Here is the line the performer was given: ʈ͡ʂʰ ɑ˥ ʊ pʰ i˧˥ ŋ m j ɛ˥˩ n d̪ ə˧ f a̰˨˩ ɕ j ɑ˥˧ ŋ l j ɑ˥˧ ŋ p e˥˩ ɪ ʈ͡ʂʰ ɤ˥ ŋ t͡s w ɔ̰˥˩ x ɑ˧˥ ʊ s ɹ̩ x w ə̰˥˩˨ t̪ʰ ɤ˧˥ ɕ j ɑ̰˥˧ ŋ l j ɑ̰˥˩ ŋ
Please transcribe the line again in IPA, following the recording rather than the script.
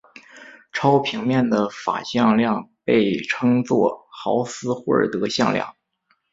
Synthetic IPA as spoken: ʈ͡ʂʰ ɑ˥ ʊ pʰ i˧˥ ŋ m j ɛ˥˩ n d̪ ə˩ f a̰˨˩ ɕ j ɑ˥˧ ŋ l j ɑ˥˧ ŋ p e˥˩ ɪ ʈ͡ʂʰ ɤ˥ ŋ t͡s w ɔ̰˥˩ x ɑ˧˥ ʊ s ɹ̩ x w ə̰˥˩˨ t̪ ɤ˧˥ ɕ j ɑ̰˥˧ ŋ l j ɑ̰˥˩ ŋ